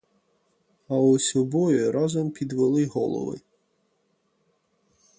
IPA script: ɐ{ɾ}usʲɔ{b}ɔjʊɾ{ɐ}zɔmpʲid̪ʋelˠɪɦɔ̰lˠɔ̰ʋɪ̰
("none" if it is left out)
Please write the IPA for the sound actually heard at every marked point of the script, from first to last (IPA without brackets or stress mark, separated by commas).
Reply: none, b, ɑ